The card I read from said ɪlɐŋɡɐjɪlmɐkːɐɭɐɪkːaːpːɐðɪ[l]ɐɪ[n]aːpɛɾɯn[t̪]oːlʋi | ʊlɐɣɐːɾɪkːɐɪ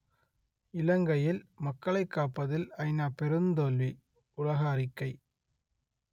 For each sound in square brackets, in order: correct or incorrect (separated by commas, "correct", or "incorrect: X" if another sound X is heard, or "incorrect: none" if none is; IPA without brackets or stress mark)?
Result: correct, correct, incorrect: d̪